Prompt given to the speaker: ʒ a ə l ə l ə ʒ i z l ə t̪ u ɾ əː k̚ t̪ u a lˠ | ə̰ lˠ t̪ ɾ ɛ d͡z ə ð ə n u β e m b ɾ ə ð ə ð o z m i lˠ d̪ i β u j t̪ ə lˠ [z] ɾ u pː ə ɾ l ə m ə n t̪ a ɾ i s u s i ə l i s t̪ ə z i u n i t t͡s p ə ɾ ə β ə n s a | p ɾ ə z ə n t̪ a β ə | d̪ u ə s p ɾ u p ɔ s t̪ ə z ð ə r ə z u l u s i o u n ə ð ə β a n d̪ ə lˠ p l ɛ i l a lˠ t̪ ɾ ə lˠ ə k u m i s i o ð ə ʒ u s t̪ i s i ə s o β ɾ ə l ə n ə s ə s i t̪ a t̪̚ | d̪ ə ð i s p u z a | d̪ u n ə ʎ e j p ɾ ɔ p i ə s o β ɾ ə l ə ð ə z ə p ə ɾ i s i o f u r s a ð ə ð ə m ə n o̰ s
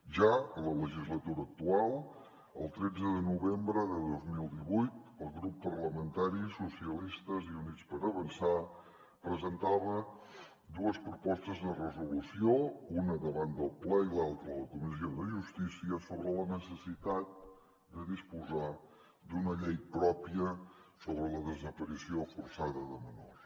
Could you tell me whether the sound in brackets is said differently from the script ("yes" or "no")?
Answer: yes